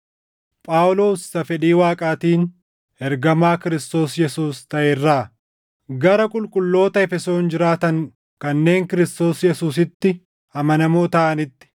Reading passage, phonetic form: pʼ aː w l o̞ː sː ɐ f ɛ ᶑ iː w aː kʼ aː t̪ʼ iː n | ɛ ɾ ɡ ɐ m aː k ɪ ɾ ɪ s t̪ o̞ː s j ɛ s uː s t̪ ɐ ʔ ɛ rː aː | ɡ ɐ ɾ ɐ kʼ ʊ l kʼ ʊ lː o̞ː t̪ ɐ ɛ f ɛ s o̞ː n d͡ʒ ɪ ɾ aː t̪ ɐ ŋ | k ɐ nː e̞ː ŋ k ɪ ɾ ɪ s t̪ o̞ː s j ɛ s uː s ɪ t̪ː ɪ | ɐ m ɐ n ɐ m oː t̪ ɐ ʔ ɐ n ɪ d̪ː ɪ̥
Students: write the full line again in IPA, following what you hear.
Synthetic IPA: pʼ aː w l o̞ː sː ɐ f ɛ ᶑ iː w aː kʼ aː t̪ iː n | ɛ ɾ ɡ ɐ m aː k ɪ ɾ ɪ s t̪ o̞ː s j ɛ s uː s t̪ ɐ ʔ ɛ rː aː | ɡ ɐ ɾ ɐ kʼ ʊ l kʼ ʊ lː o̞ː t̪ ɐ ɛ f ɛ s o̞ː n d͡ʒ ɪ ɾ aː t̪ ɐ ŋ | k ɐ nː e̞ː ŋ k ɪ ɾ ɪ s t̪ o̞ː s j ɛ s uː s ɪ t̪ː ɪ | ɐ m ɐ n ɐ m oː t̪ ɐ ʔ ɐ n ɪ t̪ː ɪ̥

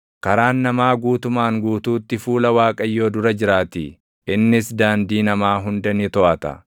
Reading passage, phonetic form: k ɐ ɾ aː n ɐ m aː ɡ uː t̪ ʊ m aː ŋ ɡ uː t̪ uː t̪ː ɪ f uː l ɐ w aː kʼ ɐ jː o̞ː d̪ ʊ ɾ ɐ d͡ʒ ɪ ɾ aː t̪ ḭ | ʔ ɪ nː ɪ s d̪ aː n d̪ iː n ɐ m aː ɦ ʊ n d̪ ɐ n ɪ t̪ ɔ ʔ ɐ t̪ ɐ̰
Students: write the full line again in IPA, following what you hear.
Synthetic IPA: k ɐ ɾ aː nː ɐ m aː ɡ uː t̪ ʊ m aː ŋ ɡ uː t̪ uː t̪ː ɪ f uː l ɐ w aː kʼ ɐ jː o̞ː d̪ ʊ ɾ ɐ d͡ʒ ɪ ɾ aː t̪ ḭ | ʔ ɪ nː ɪ s d̪ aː n d̪ iː n ɐ m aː ɦ ʊ n d̪ ɐ n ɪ t̪ ɔ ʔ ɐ t̪ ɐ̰

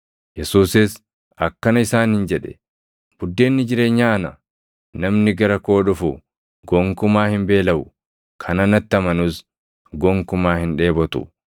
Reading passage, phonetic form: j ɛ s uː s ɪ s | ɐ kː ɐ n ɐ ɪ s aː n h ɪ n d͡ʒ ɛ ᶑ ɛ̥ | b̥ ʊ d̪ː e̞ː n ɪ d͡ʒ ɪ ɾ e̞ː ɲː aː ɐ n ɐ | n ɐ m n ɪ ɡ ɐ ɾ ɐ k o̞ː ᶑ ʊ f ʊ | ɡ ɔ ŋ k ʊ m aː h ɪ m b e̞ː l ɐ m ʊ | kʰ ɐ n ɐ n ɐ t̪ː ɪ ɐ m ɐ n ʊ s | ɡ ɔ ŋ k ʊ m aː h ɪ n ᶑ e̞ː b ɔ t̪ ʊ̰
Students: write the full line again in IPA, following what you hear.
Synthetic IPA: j ɛ s uː s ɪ s | ɐ kː ɐ n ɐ ɪ s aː n h ɪ n d͡ʒ ɛ ᶑ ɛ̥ | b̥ ʊ d̪ː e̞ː nː ɪ d͡ʒ ɪ ɾ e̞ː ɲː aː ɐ n ɐ | n ɐ m n ɪ ɡ ɐ ɾ ɐ k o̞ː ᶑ ʊ f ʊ | ɡ ɔ ŋ k ʊ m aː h ɪ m b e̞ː l ɐ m ʊ | kʰ ɐ n ɐ n ɐ t̪ː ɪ ɐ m ɐ n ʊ s | ɡ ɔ ŋ k ʊ m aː h ɪ n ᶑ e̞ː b ɔ t̪ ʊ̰

